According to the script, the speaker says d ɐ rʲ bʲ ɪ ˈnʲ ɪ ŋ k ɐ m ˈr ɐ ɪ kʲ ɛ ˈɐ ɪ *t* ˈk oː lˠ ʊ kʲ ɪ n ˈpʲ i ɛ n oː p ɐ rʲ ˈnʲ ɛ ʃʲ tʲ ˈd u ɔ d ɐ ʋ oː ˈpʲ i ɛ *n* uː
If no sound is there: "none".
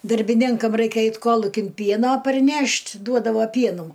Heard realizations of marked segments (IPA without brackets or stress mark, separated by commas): t, n